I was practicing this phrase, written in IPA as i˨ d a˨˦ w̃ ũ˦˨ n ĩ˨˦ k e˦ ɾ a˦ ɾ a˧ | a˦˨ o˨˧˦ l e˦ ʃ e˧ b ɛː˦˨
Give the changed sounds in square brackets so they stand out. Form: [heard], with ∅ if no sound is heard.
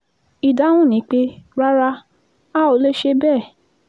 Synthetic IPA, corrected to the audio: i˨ d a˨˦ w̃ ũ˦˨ n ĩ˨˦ [k͡p] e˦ ɾ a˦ ɾ a˧ | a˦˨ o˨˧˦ l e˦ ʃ e˧ b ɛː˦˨